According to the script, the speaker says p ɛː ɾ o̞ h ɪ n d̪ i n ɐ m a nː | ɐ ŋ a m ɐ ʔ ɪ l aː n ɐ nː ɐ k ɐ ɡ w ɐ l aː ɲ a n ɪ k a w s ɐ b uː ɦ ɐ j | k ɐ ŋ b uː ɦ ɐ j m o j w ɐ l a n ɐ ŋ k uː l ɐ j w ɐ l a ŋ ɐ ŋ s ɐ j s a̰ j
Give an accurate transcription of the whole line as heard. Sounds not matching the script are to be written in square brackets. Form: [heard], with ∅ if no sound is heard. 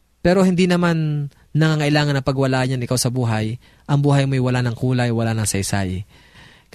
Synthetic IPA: p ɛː ɾ o̞ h ɪ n d̪ i n ɐ m a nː | ɐ ŋ a [ŋ] ɐ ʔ ɪ l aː [ŋ] ɐ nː ɐ [p] ɐ ɡ w ɐ l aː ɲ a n ɪ k a w s ɐ b uː ɦ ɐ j | [ʔ] ɐ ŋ b uː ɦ ɐ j m o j w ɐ l a n ɐ ŋ k uː l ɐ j w ɐ l a [n] ɐ ŋ s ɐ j s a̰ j